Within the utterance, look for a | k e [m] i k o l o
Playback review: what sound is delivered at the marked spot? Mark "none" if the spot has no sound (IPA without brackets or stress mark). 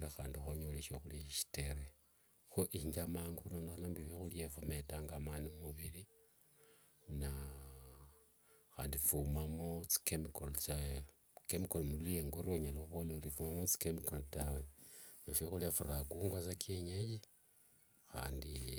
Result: m